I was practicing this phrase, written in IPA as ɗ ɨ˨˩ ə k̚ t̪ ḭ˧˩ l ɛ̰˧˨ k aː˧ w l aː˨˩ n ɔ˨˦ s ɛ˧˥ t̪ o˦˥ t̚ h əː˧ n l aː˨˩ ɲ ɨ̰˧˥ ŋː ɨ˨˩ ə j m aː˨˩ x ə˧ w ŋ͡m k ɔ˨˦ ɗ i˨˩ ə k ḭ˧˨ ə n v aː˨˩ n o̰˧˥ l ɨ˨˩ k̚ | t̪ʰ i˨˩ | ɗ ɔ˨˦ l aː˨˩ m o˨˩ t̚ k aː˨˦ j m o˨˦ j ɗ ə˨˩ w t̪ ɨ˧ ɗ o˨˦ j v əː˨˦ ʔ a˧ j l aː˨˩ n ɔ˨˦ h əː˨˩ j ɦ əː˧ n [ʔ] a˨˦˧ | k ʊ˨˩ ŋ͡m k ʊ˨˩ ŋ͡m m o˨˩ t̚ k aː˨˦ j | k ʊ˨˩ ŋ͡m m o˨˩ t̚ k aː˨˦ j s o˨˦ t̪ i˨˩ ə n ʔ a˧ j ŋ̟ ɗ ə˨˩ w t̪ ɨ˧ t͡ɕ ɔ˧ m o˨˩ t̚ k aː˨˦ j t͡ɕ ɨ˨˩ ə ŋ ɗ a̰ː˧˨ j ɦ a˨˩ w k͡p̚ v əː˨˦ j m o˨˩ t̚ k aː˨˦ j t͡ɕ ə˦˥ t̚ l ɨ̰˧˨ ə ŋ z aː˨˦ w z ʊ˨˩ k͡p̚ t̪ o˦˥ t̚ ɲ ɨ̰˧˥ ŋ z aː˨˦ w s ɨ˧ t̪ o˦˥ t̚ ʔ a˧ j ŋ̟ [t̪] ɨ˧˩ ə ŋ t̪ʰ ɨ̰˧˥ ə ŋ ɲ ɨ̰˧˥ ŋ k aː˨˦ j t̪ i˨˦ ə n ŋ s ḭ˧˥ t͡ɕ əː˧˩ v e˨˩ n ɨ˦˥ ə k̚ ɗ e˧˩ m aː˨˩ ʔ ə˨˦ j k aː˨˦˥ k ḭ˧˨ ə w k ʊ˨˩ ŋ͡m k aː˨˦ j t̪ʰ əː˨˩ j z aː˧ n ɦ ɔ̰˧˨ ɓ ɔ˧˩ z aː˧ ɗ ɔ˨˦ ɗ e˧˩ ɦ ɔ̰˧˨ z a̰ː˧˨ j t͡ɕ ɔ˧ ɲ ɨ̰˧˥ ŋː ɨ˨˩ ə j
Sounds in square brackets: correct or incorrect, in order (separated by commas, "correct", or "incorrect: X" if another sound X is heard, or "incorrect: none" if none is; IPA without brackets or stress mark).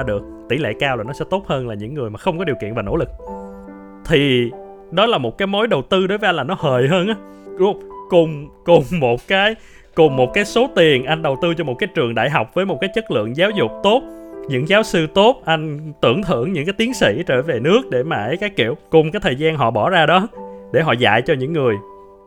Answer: correct, correct